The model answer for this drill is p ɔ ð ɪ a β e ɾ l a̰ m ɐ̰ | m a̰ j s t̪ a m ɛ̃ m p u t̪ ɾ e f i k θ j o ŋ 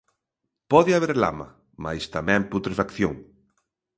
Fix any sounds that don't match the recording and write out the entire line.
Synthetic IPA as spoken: p ɔ ð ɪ a β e ɾ l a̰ m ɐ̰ | m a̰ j s t̪ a m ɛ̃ m p u t̪ ɾ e f a k θ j o ŋ